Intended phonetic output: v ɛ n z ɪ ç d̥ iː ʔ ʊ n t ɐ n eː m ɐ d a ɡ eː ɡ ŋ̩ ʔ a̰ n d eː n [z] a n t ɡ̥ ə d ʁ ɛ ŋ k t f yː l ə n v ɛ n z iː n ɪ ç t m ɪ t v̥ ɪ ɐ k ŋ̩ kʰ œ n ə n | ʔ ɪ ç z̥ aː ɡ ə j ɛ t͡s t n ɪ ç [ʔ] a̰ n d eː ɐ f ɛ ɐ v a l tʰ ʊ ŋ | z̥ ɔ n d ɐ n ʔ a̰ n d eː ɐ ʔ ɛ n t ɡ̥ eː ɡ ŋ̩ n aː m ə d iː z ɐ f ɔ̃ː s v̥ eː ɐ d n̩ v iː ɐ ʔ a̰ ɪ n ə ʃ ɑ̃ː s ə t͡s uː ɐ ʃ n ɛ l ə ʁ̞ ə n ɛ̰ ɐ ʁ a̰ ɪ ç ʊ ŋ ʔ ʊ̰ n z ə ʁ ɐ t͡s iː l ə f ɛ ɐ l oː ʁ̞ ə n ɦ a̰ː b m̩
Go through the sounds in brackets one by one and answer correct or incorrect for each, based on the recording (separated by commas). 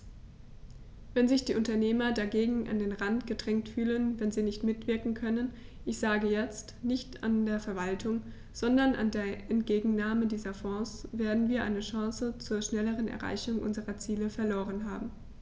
incorrect, incorrect